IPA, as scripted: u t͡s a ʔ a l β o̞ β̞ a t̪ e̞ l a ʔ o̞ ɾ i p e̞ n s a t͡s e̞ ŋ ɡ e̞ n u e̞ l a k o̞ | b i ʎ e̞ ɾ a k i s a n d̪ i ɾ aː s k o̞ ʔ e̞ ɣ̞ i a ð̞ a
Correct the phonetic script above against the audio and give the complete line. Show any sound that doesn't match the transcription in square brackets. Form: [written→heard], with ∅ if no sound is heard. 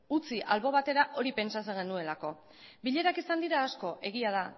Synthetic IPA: u t͡s [a→i] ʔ a l β o̞ β̞ a t̪ e̞ [l→ɾ] a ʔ o̞ ɾ i p e̞ n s a t͡s e̞ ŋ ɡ e̞ n u e̞ l a k o̞ | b i ʎ e̞ ɾ a k i s a n d̪ i ɾ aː s k o̞ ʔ e̞ ɣ̞ i a ð̞ a

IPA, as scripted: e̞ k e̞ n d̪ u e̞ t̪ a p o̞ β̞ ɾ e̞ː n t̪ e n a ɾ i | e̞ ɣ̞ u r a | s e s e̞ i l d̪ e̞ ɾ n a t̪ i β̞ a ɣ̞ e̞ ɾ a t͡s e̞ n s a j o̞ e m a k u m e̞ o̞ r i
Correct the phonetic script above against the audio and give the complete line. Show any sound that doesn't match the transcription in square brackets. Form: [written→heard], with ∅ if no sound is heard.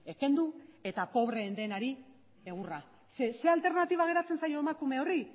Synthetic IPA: e̞ k e̞ n d̪ u e̞ t̪ a p o̞ β̞ ɾ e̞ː n [t̪→d̪] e n a ɾ i | e̞ ɣ̞ u r a | s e s e̞ [i→a] l [d̪→t̪] e̞ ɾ n a t̪ i β̞ a ɣ̞ e̞ ɾ a t͡s e̞ n s a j o̞ e m a k u m e̞ o̞ r i

